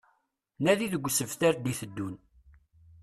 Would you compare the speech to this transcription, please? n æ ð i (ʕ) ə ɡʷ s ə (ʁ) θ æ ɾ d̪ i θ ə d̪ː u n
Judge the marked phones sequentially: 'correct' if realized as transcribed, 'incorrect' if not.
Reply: incorrect: ð, incorrect: v

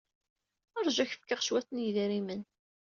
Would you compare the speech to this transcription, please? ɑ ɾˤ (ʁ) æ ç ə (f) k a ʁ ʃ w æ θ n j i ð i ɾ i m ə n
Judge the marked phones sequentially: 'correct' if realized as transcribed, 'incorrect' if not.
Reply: incorrect: ʒ, correct

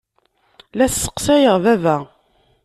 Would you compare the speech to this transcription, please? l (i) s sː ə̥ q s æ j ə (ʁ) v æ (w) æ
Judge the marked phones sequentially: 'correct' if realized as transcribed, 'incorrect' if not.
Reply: incorrect: æ, correct, incorrect: v

